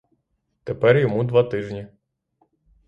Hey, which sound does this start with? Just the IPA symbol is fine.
t̪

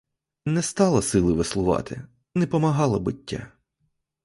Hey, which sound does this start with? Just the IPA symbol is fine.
n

